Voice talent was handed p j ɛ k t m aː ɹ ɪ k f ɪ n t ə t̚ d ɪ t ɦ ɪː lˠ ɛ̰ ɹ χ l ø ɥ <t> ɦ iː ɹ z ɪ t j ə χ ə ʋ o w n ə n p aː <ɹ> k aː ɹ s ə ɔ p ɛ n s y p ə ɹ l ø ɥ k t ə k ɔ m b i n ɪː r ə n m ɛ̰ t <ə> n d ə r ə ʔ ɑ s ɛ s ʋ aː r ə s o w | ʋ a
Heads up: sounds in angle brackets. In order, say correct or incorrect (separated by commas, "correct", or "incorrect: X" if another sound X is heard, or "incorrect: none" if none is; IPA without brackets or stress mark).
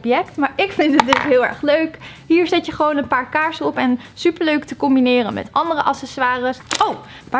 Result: incorrect: k, correct, incorrect: ɑ